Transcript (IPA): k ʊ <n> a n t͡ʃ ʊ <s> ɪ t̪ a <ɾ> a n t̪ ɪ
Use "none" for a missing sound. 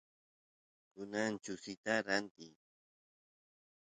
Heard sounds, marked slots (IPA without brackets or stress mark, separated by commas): n, s, ɾ